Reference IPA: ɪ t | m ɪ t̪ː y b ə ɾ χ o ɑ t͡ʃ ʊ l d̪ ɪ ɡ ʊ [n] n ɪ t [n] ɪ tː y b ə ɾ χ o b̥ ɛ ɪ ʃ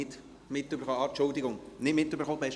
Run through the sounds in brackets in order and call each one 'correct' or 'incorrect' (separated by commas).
incorrect, incorrect